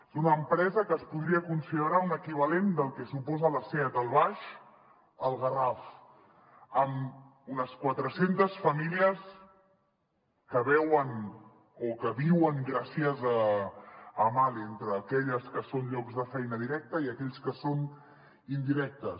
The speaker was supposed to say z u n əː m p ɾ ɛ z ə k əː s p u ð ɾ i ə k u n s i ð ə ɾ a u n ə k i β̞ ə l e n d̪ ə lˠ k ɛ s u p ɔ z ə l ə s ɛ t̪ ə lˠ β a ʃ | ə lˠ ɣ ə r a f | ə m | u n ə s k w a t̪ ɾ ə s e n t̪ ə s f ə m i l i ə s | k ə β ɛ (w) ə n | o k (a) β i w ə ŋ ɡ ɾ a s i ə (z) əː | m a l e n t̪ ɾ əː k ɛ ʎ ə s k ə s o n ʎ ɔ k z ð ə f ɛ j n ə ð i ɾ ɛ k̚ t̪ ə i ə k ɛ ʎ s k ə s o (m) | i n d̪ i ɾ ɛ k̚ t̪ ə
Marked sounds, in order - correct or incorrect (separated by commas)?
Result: correct, incorrect, correct, incorrect